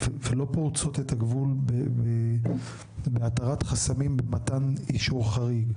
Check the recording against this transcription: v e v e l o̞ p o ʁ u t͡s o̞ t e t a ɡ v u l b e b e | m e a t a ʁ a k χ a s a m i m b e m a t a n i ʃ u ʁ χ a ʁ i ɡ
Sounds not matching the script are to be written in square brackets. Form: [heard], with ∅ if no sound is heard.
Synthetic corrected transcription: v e v e l o̞ p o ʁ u t͡s o̞ t e t a ɡ v u l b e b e | [b] e a t a ʁ a [t] χ a s a m i m b e m a t a n i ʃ u ʁ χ a ʁ i ɡ